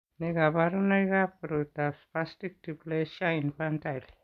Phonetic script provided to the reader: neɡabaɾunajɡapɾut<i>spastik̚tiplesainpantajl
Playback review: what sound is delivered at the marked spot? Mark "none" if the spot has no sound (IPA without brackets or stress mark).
a